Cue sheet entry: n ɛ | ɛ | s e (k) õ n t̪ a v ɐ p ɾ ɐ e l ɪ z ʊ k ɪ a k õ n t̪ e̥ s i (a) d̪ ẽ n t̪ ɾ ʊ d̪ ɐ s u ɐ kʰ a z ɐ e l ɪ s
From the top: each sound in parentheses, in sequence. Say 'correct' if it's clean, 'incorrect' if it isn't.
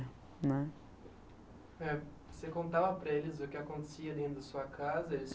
correct, incorrect

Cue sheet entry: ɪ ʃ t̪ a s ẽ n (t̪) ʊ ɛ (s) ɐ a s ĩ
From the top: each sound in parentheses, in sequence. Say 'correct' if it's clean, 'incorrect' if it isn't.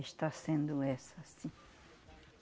incorrect, correct

